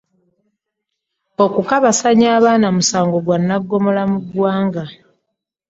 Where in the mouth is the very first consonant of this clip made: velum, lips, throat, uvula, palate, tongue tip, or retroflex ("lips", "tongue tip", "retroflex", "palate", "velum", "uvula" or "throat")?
velum